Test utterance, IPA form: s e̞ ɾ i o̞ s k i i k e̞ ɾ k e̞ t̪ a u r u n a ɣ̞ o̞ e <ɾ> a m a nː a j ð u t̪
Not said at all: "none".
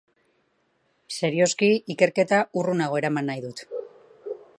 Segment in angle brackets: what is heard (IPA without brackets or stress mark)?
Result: ɾ